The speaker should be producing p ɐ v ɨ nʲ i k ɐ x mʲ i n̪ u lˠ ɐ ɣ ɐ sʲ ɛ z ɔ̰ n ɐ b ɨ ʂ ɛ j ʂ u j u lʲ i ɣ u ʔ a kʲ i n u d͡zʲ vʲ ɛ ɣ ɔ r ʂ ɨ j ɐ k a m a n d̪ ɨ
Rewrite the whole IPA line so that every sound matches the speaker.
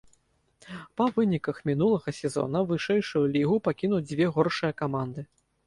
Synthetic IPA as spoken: p ɐ v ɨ nʲ i k ɐ x mʲ i n̪ u lˠ ɐ ɣ ɐ sʲ ɛ z ɔ̰ n ɐ v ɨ ʂ ɛ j ʂ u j u lʲ i ɣ u p a kʲ i n u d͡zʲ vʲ ɛ ɣ ɔ r ʂ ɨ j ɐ k a m a n d̪ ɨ